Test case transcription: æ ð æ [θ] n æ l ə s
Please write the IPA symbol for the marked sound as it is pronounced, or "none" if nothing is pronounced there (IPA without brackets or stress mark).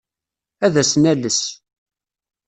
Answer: s